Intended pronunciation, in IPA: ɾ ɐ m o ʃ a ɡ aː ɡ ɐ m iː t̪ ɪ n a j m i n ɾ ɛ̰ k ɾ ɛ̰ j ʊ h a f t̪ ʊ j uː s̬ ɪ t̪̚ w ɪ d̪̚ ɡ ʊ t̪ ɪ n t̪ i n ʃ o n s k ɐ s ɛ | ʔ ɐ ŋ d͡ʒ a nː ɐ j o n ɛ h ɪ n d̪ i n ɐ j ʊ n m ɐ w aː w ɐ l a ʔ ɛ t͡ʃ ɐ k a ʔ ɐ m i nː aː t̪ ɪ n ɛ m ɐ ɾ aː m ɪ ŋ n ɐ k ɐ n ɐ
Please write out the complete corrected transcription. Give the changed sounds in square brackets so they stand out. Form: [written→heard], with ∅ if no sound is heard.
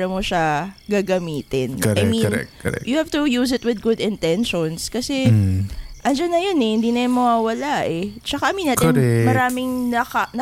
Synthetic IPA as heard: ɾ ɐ m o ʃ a ɡ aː ɡ ɐ m iː t̪ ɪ n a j m i n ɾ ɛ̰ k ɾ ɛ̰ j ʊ h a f t̪ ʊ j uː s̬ ɪ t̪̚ w ɪ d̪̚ ɡ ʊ [t̪→d̪] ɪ n t̪ [i→ɛ] n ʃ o n s k ɐ s ɛ | ʔ ɐ [ŋ→n] d͡ʒ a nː ɐ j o n ɛ h ɪ n d̪ i n ɐ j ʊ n m ɐ w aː w ɐ l a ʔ ɛ t͡ʃ ɐ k a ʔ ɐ m i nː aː t̪ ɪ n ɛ m ɐ ɾ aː m ɪ ŋ n ɐ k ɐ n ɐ